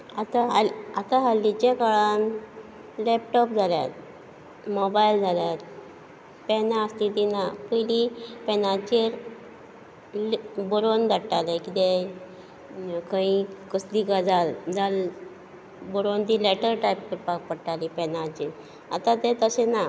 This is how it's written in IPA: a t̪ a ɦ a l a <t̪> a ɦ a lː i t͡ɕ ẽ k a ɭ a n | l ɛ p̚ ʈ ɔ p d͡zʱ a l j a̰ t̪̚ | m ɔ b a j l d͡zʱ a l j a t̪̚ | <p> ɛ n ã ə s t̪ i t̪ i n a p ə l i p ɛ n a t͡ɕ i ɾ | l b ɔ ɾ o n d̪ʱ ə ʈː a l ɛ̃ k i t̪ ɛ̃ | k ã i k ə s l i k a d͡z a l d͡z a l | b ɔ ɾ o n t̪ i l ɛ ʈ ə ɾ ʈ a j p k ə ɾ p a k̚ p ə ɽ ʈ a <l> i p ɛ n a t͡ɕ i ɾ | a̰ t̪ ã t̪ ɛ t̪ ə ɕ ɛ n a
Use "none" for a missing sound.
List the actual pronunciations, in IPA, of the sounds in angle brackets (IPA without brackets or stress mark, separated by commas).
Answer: t̪, p, l